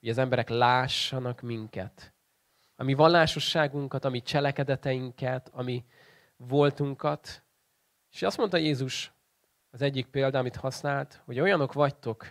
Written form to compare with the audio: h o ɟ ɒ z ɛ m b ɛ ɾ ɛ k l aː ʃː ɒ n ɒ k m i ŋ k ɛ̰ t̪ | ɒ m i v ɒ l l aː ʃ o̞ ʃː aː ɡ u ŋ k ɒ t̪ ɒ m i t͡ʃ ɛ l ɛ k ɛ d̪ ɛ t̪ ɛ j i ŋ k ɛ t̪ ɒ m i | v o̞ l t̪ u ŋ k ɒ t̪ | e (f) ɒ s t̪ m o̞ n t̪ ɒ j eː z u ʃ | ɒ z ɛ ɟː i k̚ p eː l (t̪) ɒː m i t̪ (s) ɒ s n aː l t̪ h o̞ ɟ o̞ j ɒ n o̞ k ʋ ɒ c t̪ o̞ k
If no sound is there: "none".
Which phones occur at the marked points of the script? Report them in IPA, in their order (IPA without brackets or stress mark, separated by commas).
ʃ, d̪, h